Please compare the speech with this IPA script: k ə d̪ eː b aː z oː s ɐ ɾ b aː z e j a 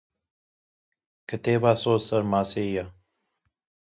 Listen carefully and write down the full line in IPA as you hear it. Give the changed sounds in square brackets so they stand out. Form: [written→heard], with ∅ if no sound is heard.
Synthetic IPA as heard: k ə [d̪→t̪] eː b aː [z→s] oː s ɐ ɾ [b→m] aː [z→s] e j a

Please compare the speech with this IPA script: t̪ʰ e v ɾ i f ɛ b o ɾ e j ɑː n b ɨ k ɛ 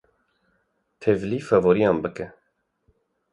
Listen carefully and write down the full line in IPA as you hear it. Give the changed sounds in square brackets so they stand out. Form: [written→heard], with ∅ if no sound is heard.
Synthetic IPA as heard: t̪ʰ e v [ɾ→l] i f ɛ [b→v] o ɾ [e→i] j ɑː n b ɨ k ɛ

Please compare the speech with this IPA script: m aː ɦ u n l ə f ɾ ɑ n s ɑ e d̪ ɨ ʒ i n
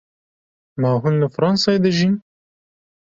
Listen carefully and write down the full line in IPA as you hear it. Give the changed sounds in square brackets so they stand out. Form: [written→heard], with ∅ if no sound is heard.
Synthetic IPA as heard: m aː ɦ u n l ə f ɾ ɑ n s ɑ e d̪ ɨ ʒ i n

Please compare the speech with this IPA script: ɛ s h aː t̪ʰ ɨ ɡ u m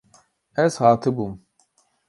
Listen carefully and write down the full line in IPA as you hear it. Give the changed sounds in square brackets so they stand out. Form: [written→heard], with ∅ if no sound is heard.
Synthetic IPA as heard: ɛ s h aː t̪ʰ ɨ [ɡ→b] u m

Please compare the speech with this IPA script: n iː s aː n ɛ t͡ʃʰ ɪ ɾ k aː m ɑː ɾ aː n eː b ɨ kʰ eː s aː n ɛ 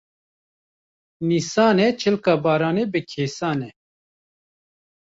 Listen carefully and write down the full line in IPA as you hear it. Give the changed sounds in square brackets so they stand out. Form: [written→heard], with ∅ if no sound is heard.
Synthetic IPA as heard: n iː s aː n ɛ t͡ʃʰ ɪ [ɾ→l] k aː [m→b] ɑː ɾ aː n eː b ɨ kʰ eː s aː n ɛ

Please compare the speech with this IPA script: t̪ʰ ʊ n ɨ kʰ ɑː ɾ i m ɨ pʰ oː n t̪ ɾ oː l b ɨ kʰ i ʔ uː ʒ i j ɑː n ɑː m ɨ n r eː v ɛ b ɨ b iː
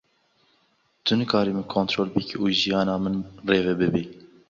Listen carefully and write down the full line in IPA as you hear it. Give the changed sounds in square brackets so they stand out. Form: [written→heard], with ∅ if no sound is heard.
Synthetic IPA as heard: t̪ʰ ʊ n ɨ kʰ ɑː ɾ i m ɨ [pʰ→kʰ] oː n t̪ ɾ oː l b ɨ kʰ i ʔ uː ʒ i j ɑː n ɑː m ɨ n r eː v ɛ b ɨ b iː

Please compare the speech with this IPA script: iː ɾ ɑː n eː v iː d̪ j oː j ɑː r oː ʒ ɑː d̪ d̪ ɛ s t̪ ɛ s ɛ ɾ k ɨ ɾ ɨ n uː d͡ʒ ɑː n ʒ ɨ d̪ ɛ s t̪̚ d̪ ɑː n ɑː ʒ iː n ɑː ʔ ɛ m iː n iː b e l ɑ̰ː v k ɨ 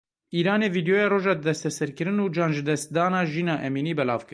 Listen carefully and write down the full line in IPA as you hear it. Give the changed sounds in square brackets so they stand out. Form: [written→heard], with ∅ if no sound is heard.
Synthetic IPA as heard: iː ɾ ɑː n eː v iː d̪ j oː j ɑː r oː ʒ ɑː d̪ d̪ ɛ s t̪ ɛ s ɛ ɾ k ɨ ɾ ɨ n uː d͡ʒ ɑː n ʒ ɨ d̪ ɛ s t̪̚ d̪ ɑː n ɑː ʒ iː n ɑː ʔ ɛ m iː n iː b [e→ɛ] l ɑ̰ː v k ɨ

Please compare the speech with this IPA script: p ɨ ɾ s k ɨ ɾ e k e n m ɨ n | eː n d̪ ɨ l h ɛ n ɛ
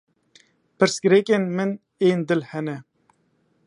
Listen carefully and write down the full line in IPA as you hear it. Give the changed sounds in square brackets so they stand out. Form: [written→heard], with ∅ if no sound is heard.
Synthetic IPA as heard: p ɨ ɾ s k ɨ ɾ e k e n m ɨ n | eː n d̪ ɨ l h ɛ n ɛ

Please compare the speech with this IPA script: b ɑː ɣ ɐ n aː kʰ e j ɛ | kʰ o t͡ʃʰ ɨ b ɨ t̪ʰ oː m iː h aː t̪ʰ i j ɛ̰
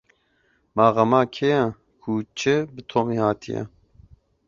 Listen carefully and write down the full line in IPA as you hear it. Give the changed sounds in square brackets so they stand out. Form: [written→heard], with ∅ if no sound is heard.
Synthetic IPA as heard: [b→m] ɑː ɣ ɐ [n→m] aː kʰ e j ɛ | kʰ [o→u] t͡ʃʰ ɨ b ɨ t̪ʰ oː m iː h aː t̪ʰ i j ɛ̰

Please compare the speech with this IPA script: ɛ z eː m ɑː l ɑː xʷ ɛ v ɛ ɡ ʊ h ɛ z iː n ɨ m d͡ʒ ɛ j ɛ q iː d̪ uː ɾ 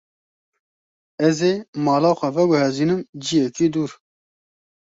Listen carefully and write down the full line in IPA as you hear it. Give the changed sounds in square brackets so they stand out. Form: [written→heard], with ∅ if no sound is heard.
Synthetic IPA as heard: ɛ z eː m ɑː l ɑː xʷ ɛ v ɛ ɡ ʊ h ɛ z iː n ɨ m d͡ʒ [ɛ→i] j ɛ [q→k] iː d̪ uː ɾ

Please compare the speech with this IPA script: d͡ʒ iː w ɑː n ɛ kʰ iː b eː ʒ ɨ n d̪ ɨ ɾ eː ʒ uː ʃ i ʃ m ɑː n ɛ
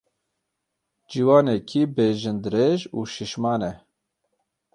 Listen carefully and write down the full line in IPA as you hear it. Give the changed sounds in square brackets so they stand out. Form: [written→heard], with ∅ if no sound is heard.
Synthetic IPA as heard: d͡ʒ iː w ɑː n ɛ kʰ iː b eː ʒ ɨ n d̪ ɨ ɾ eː ʒ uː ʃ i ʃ m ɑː n ɛ

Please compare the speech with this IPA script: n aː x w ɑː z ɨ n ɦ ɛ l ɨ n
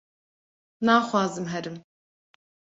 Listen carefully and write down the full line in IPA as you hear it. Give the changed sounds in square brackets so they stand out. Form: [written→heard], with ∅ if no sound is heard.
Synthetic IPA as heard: n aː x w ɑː z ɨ [n→m] ɦ ɛ [l→ɾ] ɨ [n→m]

